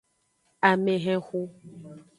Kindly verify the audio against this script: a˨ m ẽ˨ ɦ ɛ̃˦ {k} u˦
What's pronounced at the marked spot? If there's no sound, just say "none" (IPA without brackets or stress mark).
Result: x